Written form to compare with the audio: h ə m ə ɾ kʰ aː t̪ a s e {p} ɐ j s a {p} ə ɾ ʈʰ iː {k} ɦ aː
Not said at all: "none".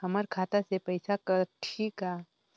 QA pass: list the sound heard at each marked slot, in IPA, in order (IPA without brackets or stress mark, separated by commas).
p, k, k